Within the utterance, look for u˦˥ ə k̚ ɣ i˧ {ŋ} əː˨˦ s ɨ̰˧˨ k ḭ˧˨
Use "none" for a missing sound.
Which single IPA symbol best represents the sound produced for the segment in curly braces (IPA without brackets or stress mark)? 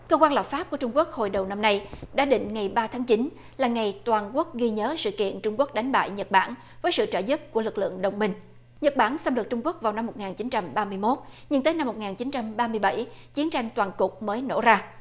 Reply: ɲ